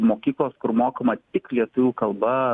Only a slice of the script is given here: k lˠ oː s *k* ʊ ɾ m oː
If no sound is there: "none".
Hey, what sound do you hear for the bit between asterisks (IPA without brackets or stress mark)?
k